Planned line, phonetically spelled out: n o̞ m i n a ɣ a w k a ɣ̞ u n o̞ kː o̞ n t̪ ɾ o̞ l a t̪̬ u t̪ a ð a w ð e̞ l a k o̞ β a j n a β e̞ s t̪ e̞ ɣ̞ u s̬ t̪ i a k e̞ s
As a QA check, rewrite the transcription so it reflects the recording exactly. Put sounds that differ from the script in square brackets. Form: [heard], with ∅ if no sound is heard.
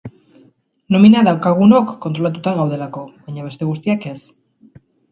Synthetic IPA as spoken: n o̞ m i n a [ð] a w k a ɣ̞ u n o̞ kː o̞ n t̪ ɾ o̞ l a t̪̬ u t̪ a [ɣ] a w ð e̞ l a k o̞ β a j [ɲ] a β e̞ s t̪ e̞ ɣ̞ u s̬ t̪ i a k e̞ s